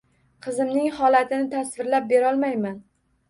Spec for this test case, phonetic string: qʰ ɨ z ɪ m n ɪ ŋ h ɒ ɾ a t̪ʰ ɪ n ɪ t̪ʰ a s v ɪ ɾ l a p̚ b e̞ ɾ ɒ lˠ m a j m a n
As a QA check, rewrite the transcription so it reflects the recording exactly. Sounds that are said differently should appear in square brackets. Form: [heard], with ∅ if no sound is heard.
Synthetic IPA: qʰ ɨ z ɪ m n ɪ ŋ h ɒ [l] a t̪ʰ ɪ n ɪ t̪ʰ a s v ɪ ɾ l a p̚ b e̞ ɾ ɒ lˠ m a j m a n